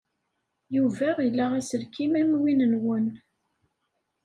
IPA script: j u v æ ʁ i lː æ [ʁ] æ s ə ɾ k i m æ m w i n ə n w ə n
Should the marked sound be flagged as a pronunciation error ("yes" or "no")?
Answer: no